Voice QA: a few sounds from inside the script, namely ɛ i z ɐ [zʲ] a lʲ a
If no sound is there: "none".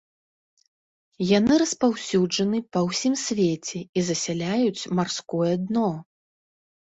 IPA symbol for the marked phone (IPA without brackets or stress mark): sʲ